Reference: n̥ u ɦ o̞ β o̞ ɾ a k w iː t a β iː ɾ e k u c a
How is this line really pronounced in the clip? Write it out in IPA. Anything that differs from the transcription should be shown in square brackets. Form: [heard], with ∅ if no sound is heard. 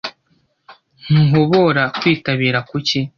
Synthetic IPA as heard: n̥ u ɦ o̞ β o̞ ɾ a k w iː t a β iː ɾ [a] k u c [i]